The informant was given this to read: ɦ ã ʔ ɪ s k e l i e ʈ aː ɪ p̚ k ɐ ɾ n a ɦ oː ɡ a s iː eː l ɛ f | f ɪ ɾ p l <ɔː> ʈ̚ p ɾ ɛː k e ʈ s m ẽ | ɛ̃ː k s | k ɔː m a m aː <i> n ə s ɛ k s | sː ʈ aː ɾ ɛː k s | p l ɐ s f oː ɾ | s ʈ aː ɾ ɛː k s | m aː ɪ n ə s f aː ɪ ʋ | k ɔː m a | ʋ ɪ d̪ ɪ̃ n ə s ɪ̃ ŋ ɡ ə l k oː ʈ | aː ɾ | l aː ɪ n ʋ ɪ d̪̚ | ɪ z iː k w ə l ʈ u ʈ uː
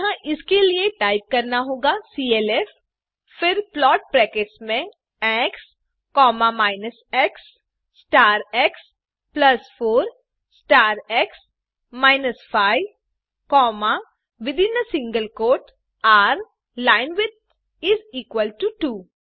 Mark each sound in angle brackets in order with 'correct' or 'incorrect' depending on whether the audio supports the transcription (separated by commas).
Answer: correct, incorrect